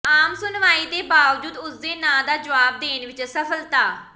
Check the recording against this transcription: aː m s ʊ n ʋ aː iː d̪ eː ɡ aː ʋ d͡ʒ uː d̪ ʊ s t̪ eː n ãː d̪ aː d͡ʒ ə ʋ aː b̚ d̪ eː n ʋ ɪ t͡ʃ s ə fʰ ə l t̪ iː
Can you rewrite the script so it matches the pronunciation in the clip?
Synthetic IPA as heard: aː m s ʊ n ʋ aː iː t̪ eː b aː ʋ d͡ʒ uː d̪ ʊ s d̪ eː n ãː d̪ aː d͡ʒ ə ʋ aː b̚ d̪ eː n ʋ ɪ t͡ʃ s ə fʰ ə l t̪ aː